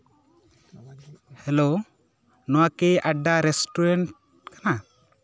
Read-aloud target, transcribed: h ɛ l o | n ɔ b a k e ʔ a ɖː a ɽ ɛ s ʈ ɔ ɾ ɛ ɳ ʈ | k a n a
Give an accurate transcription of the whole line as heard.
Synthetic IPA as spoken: h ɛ l o | n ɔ w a k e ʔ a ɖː a ɾ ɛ s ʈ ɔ ɾ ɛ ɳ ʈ | k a n a